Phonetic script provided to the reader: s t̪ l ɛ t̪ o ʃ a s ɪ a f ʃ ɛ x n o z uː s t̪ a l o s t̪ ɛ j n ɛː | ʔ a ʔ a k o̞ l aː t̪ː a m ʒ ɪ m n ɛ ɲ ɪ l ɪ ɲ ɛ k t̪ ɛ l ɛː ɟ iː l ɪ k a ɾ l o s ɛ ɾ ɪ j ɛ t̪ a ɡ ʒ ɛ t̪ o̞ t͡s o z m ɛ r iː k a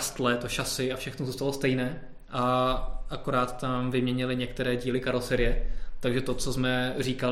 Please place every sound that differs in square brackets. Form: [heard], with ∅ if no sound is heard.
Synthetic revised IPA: s t̪ l ɛ t̪ o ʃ a s ɪ a f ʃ ɛ x n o z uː s t̪ a l o s t̪ ɛ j n ɛː | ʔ a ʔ a k o̞ [ɾ] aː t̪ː a m [v] ɪ m [ɲ] ɛ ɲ ɪ l ɪ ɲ ɛ k t̪ ɛ [ɾ] ɛː ɟ iː l ɪ k a ɾ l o s ɛ ɾ ɪ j ɛ t̪ a ɡ ʒ ɛ t̪ o̞ t͡s o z m ɛ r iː k a